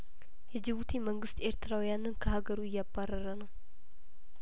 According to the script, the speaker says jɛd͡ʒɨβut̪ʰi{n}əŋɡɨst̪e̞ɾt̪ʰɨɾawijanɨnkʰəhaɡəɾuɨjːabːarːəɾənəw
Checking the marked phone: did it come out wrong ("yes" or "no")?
yes